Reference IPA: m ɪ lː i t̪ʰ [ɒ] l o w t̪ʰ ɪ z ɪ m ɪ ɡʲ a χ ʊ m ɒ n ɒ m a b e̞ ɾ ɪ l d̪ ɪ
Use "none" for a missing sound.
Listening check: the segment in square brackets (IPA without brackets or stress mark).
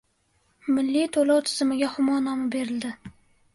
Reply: o